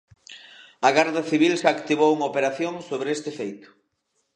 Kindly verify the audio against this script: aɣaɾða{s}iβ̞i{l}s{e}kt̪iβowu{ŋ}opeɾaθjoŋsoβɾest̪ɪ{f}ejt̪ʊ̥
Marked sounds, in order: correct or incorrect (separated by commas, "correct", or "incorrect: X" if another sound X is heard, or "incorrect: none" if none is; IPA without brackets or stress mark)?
incorrect: θ, correct, incorrect: a, correct, correct